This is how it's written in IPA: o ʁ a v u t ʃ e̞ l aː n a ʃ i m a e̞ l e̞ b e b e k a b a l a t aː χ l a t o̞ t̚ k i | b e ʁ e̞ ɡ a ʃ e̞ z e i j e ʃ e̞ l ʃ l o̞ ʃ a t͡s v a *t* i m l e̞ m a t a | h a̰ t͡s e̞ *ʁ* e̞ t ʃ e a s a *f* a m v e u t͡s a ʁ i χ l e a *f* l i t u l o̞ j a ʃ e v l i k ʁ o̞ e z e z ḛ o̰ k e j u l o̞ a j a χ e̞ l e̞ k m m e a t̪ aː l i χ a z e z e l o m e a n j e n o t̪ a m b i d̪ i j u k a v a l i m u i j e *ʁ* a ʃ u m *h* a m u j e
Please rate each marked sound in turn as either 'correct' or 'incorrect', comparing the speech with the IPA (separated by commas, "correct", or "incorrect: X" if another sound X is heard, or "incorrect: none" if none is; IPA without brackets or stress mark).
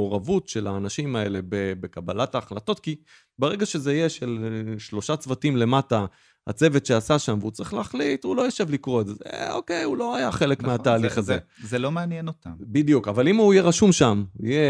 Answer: correct, incorrect: v, incorrect: ʃ, incorrect: χ, correct, incorrect: ʃ